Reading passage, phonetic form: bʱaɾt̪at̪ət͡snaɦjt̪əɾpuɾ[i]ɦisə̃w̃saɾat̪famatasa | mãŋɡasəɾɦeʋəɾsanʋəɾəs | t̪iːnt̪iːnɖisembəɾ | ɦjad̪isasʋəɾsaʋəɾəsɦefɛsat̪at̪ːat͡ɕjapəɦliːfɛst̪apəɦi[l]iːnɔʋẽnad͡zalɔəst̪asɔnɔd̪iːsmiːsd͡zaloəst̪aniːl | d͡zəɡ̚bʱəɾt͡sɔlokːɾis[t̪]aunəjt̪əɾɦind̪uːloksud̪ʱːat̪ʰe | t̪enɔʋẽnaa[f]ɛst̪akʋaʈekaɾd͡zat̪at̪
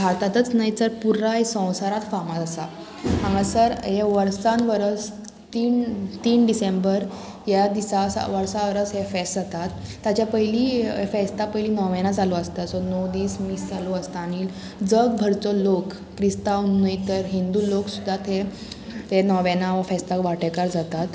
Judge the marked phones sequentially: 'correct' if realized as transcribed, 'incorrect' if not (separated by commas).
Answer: incorrect, correct, correct, correct